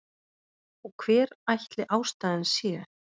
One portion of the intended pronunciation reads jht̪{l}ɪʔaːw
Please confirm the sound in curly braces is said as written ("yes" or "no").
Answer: yes